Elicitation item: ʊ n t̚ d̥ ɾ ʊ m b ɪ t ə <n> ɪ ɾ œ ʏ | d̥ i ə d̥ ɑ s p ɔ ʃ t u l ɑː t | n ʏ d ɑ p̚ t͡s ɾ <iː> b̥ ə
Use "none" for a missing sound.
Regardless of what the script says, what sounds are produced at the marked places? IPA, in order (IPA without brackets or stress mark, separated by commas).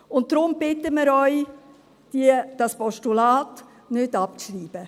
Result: m, iː